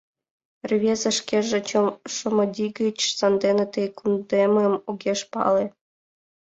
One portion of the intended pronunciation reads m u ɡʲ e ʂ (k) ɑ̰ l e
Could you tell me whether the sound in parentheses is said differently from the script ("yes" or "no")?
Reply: yes